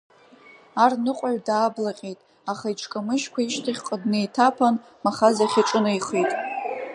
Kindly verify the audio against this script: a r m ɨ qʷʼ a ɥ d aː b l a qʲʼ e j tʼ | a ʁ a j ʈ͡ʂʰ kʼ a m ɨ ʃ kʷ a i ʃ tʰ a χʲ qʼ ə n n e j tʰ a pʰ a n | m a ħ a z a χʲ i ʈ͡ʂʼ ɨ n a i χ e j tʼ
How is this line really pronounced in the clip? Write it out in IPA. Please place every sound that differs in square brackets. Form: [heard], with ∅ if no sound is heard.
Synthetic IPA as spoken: a r [n] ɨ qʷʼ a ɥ d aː b l a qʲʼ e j tʼ | a [χ] a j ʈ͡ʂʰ kʼ a m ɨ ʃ kʷ a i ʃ tʰ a χʲ qʼ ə [d] n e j tʰ a pʰ a n | m a [χ] a z a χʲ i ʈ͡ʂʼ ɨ n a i χ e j tʼ